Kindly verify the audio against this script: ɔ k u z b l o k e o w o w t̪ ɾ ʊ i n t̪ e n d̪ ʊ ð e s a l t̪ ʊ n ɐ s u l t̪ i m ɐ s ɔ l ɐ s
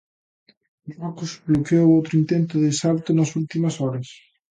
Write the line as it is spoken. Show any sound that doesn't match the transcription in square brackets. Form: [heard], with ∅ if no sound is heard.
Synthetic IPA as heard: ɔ k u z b l o k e o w o w t̪ ɾ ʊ i n t̪ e n [t̪] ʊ ð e s a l t̪ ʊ n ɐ s u l t̪ i m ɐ s ɔ [ɾ] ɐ s